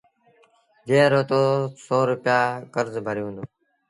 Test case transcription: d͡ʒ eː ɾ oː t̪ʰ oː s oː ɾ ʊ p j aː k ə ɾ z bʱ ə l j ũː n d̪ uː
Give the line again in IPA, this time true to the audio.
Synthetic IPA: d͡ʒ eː ɾ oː t̪ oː s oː ɾ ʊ p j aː k ə ɾ z bʱ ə ɾ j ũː n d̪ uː

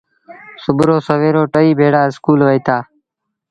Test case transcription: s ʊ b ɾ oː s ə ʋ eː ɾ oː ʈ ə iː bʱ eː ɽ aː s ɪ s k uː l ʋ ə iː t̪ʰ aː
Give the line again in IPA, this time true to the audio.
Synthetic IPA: s ʊ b ɾ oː s ə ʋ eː ɾ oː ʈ ə iː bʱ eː ɽ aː ɪ s k uː l ʋ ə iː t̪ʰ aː

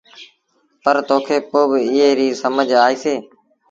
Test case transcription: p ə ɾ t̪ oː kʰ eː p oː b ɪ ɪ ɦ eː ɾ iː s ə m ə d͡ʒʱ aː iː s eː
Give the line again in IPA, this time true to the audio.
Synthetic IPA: p ə ɾ t̪ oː kʰ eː p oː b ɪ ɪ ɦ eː ɾ iː s ə m ə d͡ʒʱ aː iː s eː

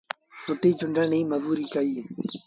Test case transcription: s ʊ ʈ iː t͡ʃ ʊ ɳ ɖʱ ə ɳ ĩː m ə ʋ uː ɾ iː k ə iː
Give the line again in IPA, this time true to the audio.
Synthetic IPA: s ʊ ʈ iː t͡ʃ ʊ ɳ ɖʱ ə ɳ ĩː m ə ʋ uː ɾ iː k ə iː

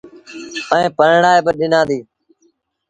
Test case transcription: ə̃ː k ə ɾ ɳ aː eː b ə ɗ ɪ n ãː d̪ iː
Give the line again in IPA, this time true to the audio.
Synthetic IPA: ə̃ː p ə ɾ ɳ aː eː b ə ɗ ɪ n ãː d̪ iː

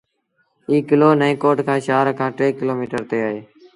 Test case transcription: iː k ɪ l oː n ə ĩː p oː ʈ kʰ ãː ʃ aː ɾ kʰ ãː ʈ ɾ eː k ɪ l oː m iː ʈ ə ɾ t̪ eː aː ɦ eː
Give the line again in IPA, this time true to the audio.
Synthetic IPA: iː k ɪ l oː n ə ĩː k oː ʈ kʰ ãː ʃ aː ɾ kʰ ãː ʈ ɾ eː k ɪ l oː m iː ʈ ə ɾ t̪ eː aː ɦ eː

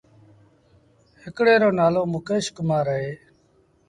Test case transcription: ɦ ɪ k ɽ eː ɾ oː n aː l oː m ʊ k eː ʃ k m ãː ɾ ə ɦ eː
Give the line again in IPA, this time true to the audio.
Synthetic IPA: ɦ ɪ k ɽ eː ɾ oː n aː l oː m ʊ k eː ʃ k m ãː ɾ ə ɦ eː

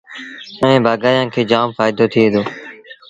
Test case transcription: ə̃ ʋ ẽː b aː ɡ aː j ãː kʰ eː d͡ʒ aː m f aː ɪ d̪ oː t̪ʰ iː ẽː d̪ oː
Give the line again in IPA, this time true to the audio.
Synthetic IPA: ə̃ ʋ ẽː b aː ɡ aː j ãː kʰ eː d͡ʒ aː m f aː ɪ d̪ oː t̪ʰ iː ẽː d̪ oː

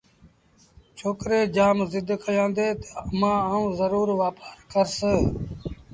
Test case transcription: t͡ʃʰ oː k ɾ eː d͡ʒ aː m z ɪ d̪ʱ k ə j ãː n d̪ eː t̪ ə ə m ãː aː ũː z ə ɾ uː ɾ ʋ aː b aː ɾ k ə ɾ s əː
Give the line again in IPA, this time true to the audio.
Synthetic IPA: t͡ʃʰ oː k ɾ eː d͡ʒ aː m z ɪ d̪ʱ k ə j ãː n d̪ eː t̪ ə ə m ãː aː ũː z ə ɾ uː ɾ ʋ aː p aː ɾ k ə ɾ s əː

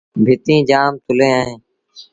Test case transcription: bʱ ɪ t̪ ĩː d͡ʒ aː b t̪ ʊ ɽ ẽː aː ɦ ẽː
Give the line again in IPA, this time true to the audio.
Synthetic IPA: bʱ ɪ t̪ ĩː d͡ʒ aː m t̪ ʊ l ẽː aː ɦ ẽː

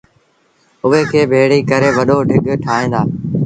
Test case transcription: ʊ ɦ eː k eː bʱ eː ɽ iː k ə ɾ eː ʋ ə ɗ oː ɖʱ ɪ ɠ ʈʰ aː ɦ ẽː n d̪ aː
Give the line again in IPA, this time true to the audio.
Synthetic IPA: ʊ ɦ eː kʰ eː bʱ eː ɽ iː k ə ɾ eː ʋ ə ɗ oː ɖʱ ɪ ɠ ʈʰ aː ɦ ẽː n d̪ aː

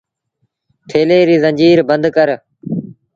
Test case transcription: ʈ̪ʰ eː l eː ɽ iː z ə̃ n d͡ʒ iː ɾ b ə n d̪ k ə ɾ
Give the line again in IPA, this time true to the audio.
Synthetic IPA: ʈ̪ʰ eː l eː ɾ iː z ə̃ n d͡ʒ iː ɾ b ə n d̪ k ə ɾ

